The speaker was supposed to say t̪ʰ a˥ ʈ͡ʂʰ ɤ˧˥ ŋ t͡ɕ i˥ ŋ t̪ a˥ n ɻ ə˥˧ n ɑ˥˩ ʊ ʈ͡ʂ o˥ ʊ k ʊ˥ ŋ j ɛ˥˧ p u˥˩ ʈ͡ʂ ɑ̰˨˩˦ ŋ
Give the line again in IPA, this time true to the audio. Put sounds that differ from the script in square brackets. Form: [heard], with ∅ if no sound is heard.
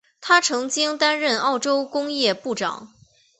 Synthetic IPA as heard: t̪ʰ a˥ ʈ͡ʂʰ ɤ˧˥ ŋ t͡ɕ i˥ ŋ t̪ a˥ n ɻ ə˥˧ n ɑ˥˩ ʊ ʈ͡ʂ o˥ ʊ k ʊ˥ ŋ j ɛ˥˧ p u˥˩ ʈ͡ʂ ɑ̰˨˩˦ ŋ